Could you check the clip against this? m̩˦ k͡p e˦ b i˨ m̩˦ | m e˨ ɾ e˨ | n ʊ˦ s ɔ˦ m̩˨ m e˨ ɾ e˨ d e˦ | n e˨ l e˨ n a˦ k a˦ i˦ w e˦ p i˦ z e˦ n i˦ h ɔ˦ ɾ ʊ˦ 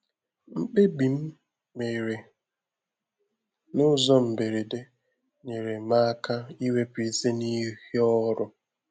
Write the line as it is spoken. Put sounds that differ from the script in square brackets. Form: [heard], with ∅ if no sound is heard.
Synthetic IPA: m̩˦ k͡p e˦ b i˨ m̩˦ | m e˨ ɾ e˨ | n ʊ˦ [z] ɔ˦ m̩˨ [b] e˨ ɾ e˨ d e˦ | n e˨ [ɾ] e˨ [m] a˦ k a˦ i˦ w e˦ p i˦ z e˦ n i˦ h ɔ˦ ɾ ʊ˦